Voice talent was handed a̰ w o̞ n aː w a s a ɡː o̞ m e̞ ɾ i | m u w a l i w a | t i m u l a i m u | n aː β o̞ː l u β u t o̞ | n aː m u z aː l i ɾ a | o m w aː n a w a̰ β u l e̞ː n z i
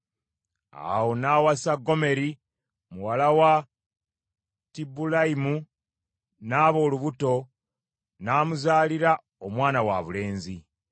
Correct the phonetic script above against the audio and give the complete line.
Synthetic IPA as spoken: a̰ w o̞ n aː w a s a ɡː o̞ m e̞ ɾ i | m u w a l a w a | t i b u l a i m u | n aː β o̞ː l u β u t o̞ | n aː m u z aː l i ɾ a | o m w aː n a w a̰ β u l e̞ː n z i

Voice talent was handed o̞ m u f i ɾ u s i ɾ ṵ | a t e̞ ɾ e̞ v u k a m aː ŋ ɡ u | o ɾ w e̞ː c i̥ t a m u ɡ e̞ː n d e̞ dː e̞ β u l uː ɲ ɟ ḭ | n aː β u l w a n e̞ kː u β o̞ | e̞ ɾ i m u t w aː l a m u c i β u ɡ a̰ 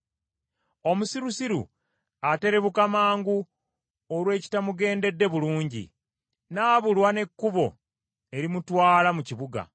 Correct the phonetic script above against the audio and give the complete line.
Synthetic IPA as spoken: o̞ m u s i ɾ u s i ɾ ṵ | a t e̞ ɾ e̞ β u k a m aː ŋ ɡ u | o ɾ w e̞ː c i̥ t a m u ɡ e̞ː n d e̞ dː e̞ β u l uː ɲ ɟ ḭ | n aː β u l w a n e̞ kː u β o̞ | e̞ ɾ i m u t w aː l a m u c i β u ɡ a̰

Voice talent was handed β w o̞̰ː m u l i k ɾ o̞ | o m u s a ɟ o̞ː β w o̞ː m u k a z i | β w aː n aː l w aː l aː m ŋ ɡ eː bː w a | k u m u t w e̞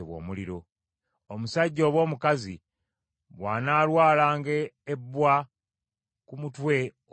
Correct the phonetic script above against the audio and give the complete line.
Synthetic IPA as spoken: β w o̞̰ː m u l i ɾ o̞ | o m u s a ɟː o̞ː β w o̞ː m u k a z i | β w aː n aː l w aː l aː ŋ ɡ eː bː w a | k u m u t w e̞

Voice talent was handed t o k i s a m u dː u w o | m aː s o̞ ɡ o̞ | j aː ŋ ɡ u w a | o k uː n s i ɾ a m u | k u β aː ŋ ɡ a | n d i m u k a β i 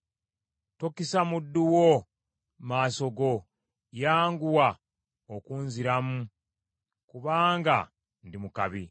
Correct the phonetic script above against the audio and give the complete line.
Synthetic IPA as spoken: t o k i s a m u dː u w o | m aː s o̞ ɡ o̞ | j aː ŋ ɡ u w a | o k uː n z i ɾ a m u | k u β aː ŋ ɡ a | n d i m u k a β i

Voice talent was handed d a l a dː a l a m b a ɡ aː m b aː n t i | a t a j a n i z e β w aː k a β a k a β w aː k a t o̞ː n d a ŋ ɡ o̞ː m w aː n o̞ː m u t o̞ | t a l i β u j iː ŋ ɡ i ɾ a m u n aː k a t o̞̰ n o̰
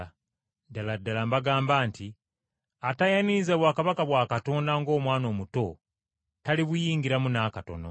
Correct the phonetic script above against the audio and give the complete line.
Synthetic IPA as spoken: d a l a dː a l a m b a ɡ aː m b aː n t i | a t a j a n i z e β w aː k a β a k a β w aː k a t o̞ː n d a ŋ ɡ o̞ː m w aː n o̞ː m u t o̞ | t a l i β u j iː ŋ ɡ i ɾ a m u n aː k a t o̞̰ n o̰

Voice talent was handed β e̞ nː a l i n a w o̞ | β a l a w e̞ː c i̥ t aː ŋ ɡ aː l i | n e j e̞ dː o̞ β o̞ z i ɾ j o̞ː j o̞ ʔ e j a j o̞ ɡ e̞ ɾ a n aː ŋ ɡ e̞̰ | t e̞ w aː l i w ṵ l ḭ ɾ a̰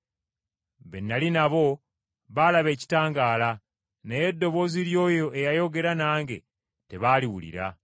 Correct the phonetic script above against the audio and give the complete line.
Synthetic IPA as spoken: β e̞ nː a l i n a β o̞ | β a l a β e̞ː c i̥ t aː ŋ ɡ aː l a | n e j e̞ dː o̞ β o̞ z i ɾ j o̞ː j o̞ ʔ e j a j o̞ ɡ e̞ ɾ a n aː ŋ ɡ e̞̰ | t e̞ β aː l i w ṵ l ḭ ɾ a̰

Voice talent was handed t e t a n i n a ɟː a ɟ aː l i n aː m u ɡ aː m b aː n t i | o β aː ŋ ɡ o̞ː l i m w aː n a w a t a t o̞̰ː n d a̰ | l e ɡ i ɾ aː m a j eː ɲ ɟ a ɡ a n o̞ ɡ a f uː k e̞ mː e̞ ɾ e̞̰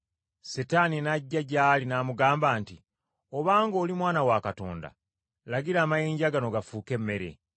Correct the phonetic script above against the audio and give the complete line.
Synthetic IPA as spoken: s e t a n i n a ɟː a ɟ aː l i n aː m u ɡ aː m b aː n t i | o β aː ŋ ɡ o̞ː l i m w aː n a w a k a t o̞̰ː n d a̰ | l a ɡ i ɾ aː m a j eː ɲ ɟ a ɡ a n o̞ ɡ a f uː k e̞ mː e̞ ɾ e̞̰

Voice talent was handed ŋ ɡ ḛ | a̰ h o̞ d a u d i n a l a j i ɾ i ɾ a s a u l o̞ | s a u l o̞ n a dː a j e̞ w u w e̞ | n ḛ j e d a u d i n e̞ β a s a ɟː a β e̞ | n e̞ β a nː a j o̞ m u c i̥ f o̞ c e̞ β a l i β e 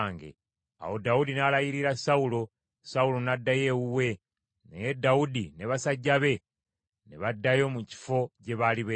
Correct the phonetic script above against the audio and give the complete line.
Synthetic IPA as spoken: ŋ ɡ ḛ | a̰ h o̞ d a u d i n a l a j i ɾ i ɾ a s a u l o̞ | s a u l o̞ n a dː a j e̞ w u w e̞ | n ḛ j e d a u d i n e̞ β a s a ɟː a β e̞ | n e̞ β a dː a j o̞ m u c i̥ f o̞ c e̞ β a l i β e

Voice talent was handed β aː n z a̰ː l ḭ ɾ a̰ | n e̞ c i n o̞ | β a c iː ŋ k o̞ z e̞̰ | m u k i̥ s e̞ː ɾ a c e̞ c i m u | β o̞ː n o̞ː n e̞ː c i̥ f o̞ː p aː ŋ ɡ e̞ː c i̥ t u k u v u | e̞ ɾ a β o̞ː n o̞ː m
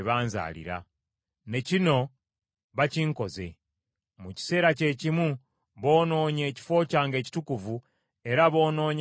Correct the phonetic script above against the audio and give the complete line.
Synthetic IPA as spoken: β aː n z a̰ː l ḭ ɾ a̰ | n e̞ c i n o̞ | β a c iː ŋ k o̞ z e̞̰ | m u c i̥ s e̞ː ɾ a c e̞ c i m u | β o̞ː n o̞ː ɲ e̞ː c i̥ f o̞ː c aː ŋ ɡ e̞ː c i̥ t u k u v u | e̞ ɾ a β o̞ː n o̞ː ɲ

